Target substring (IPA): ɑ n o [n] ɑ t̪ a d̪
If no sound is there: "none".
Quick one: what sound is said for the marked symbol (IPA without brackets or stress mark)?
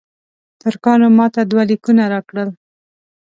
m